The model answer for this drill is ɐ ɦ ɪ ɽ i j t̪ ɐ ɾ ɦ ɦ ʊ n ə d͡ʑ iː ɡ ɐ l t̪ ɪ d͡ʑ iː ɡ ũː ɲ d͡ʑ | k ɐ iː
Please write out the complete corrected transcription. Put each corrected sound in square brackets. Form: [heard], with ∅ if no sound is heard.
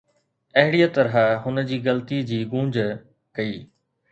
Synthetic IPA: ɐ ɦ ɪ ɽ i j t̪ ɐ ɾ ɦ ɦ ʊ n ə d͡ʑ iː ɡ ɐ l t̪ [i] d͡ʑ iː ɡ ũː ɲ d͡ʑ | k ɐ iː